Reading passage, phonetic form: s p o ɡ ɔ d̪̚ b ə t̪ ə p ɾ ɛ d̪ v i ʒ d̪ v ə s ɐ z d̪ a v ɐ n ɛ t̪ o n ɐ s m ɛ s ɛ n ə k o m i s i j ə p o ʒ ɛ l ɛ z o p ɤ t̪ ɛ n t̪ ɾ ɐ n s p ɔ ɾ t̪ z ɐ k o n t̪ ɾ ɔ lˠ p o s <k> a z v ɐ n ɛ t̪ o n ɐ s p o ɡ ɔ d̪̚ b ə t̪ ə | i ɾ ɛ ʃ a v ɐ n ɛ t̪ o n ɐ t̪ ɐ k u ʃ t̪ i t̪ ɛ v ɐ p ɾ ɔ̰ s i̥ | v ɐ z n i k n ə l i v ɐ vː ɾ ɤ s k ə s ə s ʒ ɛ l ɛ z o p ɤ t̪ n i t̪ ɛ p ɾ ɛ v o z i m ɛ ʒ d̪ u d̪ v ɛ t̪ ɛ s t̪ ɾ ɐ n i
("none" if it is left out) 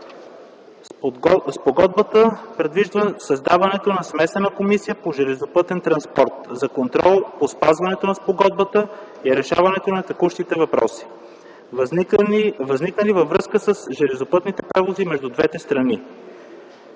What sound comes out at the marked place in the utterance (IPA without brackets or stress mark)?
p